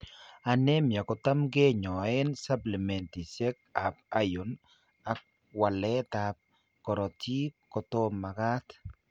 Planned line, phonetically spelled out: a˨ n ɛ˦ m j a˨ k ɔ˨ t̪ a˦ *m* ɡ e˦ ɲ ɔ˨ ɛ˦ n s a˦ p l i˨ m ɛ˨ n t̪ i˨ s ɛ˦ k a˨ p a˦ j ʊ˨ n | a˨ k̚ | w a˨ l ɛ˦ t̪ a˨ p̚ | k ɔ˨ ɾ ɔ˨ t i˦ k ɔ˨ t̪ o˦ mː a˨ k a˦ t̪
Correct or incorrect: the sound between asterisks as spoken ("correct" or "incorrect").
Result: correct